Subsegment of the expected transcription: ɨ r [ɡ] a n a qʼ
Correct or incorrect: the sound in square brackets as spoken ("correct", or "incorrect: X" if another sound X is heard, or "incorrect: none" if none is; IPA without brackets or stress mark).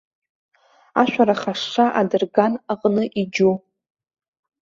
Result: correct